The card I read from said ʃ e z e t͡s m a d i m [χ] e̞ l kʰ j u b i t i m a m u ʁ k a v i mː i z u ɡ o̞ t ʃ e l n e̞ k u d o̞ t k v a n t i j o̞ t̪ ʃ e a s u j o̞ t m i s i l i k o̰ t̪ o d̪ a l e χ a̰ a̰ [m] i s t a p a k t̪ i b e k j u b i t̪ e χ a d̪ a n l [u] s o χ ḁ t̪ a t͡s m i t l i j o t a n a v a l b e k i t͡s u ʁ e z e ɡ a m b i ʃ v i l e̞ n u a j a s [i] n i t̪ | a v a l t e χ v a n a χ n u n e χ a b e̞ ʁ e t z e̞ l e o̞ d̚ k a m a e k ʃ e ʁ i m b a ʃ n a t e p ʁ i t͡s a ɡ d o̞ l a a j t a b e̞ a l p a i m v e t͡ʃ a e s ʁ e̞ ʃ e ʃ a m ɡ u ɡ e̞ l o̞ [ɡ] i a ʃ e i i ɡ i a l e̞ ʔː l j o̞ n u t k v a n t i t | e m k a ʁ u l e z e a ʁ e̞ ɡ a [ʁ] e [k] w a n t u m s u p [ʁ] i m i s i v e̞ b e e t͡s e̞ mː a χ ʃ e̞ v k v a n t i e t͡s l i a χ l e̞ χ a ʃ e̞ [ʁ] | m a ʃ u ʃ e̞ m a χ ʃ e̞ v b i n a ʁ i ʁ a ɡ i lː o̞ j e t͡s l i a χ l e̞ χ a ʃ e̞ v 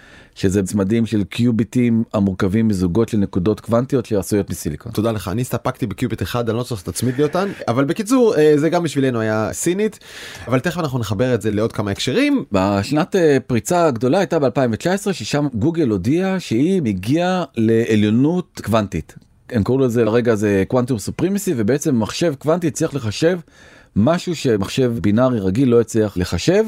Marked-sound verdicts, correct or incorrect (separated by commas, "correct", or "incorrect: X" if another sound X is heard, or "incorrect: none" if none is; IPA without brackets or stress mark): incorrect: ʃ, incorrect: n, incorrect: o, correct, incorrect: d, incorrect: z, correct, correct, incorrect: v